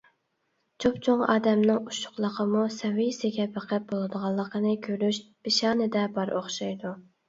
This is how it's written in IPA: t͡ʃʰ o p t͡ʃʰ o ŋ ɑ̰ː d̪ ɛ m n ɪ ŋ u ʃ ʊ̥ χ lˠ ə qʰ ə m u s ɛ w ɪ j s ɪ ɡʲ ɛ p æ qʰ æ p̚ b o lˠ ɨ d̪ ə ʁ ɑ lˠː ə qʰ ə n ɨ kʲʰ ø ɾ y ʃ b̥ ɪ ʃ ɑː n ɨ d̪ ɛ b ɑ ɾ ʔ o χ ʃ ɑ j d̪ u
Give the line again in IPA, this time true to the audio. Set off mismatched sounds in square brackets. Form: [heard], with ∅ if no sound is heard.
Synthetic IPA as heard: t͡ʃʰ o p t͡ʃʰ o ŋ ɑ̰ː d̪ ɛ m n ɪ ŋ u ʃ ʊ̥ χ lˠ ə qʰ ə m u s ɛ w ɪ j s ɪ ɡʲ ɛ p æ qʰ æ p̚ b o lˠ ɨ d̪ ə ʁ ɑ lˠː ə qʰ ə n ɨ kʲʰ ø ɾ y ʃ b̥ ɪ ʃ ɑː n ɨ d̪ ɛ b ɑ ɾ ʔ o χ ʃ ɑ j d̪ u